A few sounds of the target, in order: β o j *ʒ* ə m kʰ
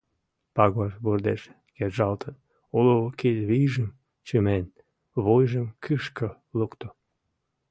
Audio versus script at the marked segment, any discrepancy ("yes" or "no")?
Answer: no